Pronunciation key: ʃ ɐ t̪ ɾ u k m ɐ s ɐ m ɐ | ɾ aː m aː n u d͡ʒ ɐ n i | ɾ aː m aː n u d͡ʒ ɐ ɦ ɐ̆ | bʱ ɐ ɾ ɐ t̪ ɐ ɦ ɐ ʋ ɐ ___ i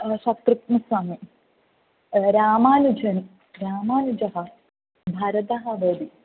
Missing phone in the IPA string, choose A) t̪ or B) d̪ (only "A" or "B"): B